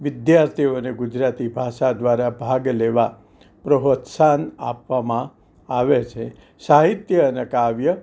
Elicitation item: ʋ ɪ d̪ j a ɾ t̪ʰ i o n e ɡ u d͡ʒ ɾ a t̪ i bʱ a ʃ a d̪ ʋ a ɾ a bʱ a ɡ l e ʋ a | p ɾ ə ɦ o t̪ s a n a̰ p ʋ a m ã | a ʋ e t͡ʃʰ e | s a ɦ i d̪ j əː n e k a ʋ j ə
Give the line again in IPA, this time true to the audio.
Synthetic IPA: ʋ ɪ d̪ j a ɾ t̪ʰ i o n e ɡ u d͡ʒ ɾ a t̪ i bʱ a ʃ a d̪ ʋ a ɾ a bʱ a ɡ l e ʋ a | p ɾ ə ɦ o t̪ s a n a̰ p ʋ a m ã | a ʋ e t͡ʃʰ e | s a ɦ i t̪ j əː n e k a ʋ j ə